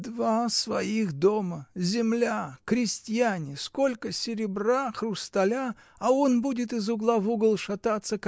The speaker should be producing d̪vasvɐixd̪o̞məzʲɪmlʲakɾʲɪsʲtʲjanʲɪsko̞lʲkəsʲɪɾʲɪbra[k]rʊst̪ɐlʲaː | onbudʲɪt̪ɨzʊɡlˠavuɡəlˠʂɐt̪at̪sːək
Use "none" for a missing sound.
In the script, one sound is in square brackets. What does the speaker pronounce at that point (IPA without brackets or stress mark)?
x